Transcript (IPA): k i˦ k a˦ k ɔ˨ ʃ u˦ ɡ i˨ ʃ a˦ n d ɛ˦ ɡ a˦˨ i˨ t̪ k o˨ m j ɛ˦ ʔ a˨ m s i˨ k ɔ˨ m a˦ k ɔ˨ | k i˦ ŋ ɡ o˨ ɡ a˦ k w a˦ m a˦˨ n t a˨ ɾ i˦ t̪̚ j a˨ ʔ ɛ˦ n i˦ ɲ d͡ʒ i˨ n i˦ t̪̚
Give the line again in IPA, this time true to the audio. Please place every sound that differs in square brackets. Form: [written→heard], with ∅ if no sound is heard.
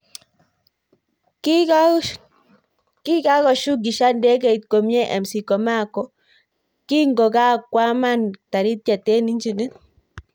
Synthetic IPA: k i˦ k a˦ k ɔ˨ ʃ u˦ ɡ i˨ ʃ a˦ n d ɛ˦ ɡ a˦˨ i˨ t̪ k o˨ m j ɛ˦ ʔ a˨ m s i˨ k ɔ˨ m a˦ k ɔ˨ | k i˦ ŋ ɡ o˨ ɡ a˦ k w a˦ m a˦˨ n t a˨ ɾ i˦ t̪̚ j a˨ [ʔ→t] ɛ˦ n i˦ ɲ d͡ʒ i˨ n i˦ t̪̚